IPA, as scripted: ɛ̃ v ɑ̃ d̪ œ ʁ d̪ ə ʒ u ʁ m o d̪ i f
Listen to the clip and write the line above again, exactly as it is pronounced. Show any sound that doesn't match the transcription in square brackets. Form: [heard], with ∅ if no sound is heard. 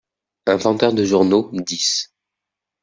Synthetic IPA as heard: ɛ̃ v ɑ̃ [t̪] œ ʁ d̪ ə ʒ u ʁ [n] o d̪ i [s]